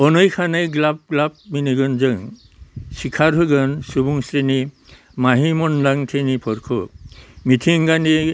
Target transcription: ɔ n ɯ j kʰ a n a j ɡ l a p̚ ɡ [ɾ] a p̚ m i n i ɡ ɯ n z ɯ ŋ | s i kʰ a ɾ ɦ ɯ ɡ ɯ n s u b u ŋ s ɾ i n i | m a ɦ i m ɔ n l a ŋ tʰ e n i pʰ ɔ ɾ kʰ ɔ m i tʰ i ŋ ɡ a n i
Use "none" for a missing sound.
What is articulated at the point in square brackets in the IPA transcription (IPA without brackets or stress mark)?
l